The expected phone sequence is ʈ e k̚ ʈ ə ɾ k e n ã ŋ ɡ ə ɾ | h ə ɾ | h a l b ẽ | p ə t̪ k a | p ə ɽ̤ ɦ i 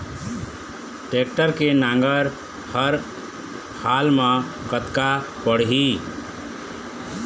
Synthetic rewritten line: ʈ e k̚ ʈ ə ɾ k e n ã ŋ ɡ ə ɾ | h ə ɾ | h a l m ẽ | k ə t̪ k a | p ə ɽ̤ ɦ i

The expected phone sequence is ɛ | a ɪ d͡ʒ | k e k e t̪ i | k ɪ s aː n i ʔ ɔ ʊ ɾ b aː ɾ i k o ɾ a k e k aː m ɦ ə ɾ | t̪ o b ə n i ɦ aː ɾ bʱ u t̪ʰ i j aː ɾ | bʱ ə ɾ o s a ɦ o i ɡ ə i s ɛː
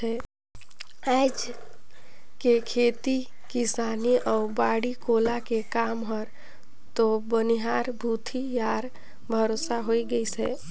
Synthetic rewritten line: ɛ | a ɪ d͡ʒ | k e kʰ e t̪ i | k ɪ s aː n i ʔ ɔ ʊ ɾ b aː ɽ i k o l a k e k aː m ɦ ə ɾ | t̪ o b ə n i ɦ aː ɾ bʱ u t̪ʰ i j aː ɾ | bʱ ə ɾ o s a ɦ o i ɡ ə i s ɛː

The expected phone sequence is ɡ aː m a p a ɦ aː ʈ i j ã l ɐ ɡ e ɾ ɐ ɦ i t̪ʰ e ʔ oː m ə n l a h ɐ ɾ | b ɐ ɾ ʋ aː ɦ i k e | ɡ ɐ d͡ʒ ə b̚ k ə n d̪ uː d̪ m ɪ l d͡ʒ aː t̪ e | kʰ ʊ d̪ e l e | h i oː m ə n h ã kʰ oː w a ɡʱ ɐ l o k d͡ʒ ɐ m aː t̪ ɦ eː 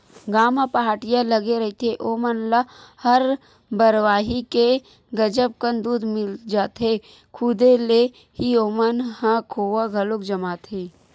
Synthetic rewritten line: ɡ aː m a p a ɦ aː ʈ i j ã l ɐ ɡ e ɾ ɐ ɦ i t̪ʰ e ʔ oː m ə n l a h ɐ ɾ | b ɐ ɾ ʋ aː ɦ i k e | ɡ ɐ d͡ʒ ə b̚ k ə n d̪ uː d̪ m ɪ l d͡ʒ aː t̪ e | kʰ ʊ d̪ e l e | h i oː m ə n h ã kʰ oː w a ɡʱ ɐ l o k d͡ʒ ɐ m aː t̪ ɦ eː

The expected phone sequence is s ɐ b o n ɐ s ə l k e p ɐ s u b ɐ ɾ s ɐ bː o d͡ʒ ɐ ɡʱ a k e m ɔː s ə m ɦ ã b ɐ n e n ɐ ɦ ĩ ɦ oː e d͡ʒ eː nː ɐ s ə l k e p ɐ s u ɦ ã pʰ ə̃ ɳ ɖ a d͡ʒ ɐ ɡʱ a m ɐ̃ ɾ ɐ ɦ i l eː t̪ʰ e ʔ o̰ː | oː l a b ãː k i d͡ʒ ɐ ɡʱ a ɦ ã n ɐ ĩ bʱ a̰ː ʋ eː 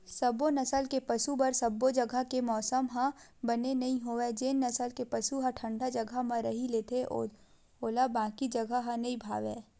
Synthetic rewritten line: s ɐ b o n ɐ s ə l k e p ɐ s u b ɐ ɾ s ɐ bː o d͡ʒ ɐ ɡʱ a k e m ɔː s ə m ɦ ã b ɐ n e n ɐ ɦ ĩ ɦ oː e d͡ʒ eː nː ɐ s ə l k e p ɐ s u ɦ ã ʈʰ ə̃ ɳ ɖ a d͡ʒ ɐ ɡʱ a m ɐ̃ ɾ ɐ ɦ i l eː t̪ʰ e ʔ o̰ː | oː l a b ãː k i d͡ʒ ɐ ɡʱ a ɦ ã n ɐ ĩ bʱ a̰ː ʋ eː

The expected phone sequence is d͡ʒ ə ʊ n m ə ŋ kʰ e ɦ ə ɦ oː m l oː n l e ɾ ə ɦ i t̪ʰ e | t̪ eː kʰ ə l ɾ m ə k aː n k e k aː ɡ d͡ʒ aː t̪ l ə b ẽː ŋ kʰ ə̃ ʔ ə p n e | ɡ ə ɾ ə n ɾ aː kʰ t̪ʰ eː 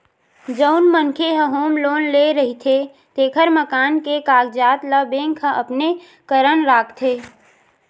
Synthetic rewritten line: d͡ʒ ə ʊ n m ə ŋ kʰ e ɦ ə ɦ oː m l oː n l e ɾ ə ɦ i t̪ʰ e | t̪ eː kʰ ə ɾ m ə k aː n k e k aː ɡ d͡ʒ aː t̪ l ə b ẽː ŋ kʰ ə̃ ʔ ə p n e | k ə ɾ ə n ɾ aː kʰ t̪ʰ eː

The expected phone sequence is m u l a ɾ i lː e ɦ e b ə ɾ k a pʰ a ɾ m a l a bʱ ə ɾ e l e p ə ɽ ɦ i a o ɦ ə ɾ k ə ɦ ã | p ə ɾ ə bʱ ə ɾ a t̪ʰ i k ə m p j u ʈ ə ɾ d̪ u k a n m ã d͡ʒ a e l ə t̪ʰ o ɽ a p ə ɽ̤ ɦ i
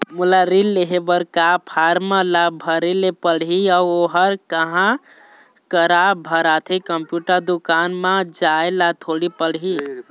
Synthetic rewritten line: m u l a ɾ i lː e ɦ e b ə ɾ k a pʰ a ɾ m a l a bʱ ə ɾ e l e p ə ɽ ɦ i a o ɦ ə ɾ k ə ɦ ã | k ə ɾ a bʱ ə ɾ a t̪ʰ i k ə m p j u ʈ ə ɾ d̪ u k a n m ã d͡ʒ a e l a t̪ʰ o ɽ i p ə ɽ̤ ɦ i

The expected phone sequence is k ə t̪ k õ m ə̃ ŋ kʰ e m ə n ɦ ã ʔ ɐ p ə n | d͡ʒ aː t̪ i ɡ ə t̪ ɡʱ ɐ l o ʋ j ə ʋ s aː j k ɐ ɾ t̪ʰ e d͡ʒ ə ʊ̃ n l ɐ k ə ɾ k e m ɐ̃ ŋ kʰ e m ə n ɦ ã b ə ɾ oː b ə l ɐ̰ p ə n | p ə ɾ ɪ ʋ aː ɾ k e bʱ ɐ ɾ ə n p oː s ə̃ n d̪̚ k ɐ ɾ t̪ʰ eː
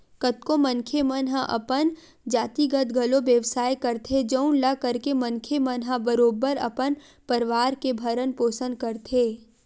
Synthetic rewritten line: k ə t̪ k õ m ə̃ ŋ kʰ e m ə n ɦ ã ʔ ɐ p ə n | d͡ʒ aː t̪ i ɡ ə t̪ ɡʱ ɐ l o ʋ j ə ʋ s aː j k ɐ ɾ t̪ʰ e d͡ʒ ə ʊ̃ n l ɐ k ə ɾ k e m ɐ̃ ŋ kʰ e m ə n ɦ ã b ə ɾ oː b ə ɾ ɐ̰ p ə n | p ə ɾ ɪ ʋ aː ɾ k e bʱ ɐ ɾ ə n p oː s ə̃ n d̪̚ k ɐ ɾ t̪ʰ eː

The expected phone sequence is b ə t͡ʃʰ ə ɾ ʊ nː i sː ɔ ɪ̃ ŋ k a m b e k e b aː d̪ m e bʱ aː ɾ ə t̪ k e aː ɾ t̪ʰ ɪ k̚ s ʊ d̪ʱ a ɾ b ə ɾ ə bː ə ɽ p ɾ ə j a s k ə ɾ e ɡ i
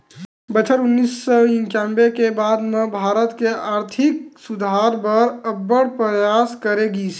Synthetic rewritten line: b ə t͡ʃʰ ə ɾ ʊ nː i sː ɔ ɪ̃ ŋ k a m b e k e b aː d̪ m e bʱ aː ɾ ə t̪ k e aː ɾ t̪ʰ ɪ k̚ s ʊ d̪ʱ a ɾ b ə ɾ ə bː ə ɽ p ɾ ə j a s k ə ɾ e ɡ i

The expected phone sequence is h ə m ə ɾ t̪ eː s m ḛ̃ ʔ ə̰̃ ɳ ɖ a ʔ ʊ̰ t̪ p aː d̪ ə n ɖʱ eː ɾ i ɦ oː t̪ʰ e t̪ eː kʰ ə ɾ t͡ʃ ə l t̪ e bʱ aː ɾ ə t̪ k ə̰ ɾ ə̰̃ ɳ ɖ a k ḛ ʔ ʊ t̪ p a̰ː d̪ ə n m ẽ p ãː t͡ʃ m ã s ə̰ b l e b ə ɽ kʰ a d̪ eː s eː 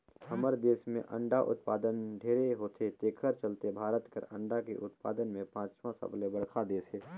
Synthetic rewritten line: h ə m ə ɾ d̪ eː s m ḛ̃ ʔ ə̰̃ ɳ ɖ a ʔ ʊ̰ t̪ p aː d̪ ə n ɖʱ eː ɾ e ɦ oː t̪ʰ e t̪ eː kʰ ə ɾ t͡ʃ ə l t̪ e bʱ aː ɾ ə t̪ k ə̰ ɾ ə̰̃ ɳ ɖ a k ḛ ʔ ʊ t̪ p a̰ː d̪ ə n m ẽ p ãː t͡ʃ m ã s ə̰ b l e b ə ɽ kʰ a d̪ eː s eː

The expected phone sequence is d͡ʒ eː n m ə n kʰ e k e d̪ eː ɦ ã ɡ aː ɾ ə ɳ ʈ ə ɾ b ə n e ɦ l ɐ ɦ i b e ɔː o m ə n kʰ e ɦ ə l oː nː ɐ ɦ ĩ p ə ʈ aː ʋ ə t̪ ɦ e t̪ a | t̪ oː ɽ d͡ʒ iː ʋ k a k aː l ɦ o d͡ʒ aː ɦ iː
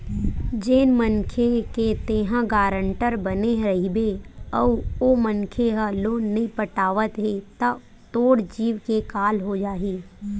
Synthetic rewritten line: d͡ʒ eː n m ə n kʰ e k e t̪ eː ɦ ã ɡ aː ɾ ə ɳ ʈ ə ɾ b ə n e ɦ ɾ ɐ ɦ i b e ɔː o m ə n kʰ e ɦ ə l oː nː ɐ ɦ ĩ p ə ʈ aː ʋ ə t̪ ɦ e t̪ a | t̪ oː ɽ d͡ʒ iː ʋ k e k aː l ɦ o d͡ʒ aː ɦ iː

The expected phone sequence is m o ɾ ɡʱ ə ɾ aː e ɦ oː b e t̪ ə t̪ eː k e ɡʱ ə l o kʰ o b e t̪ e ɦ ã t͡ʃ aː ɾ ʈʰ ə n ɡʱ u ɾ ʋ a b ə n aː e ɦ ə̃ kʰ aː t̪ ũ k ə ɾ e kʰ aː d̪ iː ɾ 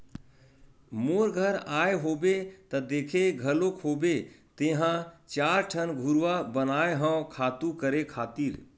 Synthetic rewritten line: m o ɾ ɡʱ ə ɾ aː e ɦ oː b e t̪ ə d̪ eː kʰ e ɡʱ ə l o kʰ o b e t̪ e ɦ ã t͡ʃ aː ɾ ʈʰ ə n ɡʱ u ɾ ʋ a b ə n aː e ɦ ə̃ kʰ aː t̪ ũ k ə ɾ e kʰ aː t̪ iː ɾ

